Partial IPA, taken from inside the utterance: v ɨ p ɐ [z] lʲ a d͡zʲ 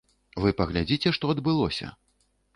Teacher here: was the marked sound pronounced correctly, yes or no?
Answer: no